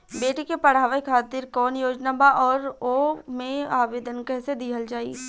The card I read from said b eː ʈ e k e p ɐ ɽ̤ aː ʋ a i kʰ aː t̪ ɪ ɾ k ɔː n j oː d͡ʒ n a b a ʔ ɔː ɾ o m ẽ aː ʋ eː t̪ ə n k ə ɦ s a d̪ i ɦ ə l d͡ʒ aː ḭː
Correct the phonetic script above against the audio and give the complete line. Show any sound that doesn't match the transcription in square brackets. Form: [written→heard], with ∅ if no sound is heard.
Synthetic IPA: b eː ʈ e k e p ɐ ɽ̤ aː ʋ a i kʰ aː t̪ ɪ ɾ k ɔː n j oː d͡ʒ n a b a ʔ ɔː ɾ o m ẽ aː ʋ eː [t̪→d̪] ə n k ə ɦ s [a→e] d̪ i ɦ ə l d͡ʒ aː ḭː

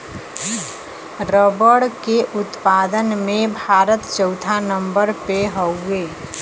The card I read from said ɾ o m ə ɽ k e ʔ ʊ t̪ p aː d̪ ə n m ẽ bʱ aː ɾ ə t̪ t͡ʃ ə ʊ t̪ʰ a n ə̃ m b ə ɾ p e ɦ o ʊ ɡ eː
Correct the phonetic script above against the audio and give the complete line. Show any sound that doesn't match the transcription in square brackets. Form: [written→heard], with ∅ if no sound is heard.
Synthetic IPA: ɾ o [m→b] ə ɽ k e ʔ ʊ t̪ p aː d̪ ə n m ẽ bʱ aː ɾ ə t̪ t͡ʃ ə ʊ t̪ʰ a n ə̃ m b ə ɾ p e ɦ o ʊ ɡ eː

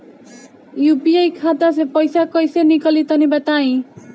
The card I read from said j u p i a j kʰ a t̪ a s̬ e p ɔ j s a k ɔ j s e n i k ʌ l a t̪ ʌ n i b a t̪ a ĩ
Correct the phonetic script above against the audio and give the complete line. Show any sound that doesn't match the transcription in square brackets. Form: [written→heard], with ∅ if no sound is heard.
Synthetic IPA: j u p i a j kʰ a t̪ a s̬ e p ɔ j s a k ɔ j s e n i k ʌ l [a→i] t̪ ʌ n i b a t̪ a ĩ

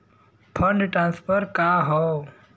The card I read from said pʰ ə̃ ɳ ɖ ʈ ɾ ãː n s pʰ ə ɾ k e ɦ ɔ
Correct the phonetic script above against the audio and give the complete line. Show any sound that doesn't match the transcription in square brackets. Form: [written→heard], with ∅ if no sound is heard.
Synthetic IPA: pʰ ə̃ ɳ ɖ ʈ ɾ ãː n s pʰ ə ɾ k [e→a] ɦ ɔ

